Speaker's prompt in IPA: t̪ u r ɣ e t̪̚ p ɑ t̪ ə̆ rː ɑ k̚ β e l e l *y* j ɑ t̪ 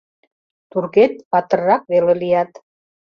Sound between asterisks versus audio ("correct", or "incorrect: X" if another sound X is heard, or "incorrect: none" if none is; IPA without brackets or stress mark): incorrect: i